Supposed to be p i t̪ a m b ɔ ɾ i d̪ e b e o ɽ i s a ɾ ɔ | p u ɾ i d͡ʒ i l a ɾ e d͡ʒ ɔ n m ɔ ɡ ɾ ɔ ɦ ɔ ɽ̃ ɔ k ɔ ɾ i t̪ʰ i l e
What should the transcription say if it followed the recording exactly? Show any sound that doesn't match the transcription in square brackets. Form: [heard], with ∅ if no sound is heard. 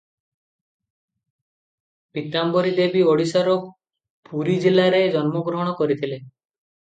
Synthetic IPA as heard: p i t̪ a m b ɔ ɾ i d̪ e b [i] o ɽ i s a ɾ ɔ | p u ɾ i d͡ʒ i l a ɾ e d͡ʒ ɔ n m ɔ ɡ ɾ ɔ ɦ ɔ ɽ̃ ɔ k ɔ ɾ i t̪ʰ i l e